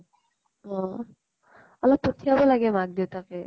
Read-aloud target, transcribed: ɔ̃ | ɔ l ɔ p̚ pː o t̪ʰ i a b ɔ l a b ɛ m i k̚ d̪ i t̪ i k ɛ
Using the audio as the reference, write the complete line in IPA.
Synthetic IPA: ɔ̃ | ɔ l ɔ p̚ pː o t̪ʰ i a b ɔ l a ɡ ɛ m a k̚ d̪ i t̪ a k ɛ